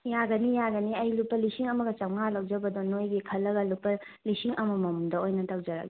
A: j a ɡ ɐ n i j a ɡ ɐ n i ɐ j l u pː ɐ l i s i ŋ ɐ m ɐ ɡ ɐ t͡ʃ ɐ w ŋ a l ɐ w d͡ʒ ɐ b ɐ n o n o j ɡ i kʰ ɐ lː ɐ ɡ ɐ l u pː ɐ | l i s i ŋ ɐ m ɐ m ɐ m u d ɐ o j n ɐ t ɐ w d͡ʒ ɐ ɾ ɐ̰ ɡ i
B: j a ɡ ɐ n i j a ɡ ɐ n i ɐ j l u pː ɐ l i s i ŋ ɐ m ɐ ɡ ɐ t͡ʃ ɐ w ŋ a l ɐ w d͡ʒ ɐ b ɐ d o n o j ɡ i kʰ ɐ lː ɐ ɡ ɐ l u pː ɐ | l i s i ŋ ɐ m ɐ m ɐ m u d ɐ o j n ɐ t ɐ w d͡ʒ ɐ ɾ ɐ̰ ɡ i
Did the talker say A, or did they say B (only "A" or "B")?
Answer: B